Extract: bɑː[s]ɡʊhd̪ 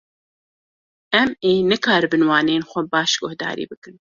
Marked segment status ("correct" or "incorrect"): incorrect